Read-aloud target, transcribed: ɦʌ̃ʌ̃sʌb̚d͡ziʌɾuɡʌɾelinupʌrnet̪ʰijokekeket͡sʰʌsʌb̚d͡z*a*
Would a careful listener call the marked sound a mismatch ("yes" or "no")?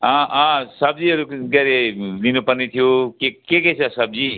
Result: yes